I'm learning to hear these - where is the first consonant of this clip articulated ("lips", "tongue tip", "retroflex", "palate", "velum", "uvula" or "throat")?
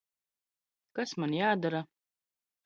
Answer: velum